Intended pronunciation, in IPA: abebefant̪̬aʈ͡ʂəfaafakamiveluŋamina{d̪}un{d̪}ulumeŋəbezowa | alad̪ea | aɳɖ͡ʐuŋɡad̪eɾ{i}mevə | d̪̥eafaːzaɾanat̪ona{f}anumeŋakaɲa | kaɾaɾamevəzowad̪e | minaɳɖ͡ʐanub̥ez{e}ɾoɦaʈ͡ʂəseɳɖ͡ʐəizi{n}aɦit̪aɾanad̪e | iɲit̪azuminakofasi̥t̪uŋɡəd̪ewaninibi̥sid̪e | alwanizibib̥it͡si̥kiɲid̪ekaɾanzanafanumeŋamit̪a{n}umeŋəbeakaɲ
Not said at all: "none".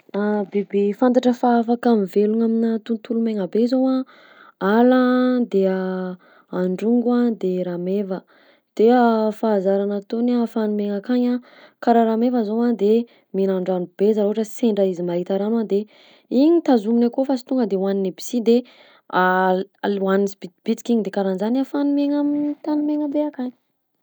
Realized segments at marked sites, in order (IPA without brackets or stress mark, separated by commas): t̪, t̪, a, f, a, m, n